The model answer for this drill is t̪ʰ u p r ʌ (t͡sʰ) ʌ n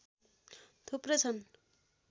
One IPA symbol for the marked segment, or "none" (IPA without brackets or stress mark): t͡sʰ